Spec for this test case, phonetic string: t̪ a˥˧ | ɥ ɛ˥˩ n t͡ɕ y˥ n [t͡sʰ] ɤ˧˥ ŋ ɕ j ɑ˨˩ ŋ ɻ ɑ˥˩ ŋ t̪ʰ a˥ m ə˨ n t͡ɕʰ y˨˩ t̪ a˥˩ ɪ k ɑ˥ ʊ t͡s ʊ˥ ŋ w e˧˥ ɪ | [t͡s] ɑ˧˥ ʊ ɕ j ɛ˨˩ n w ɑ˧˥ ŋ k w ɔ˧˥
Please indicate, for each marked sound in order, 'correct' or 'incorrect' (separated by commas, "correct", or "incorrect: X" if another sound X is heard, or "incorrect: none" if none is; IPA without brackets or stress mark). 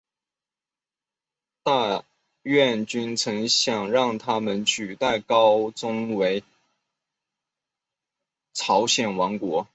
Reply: correct, incorrect: t͡sʰ